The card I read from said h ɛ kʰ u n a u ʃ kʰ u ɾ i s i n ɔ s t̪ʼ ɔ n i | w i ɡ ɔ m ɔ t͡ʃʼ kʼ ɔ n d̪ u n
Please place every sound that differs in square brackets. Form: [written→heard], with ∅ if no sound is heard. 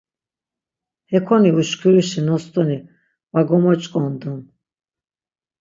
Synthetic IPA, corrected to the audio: h ɛ kʰ [u→ɔ] n [a→i] u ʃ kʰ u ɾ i [s→ʃ] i n ɔ s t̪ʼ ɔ n i | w [i→a] ɡ ɔ m ɔ t͡ʃʼ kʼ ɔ n d̪ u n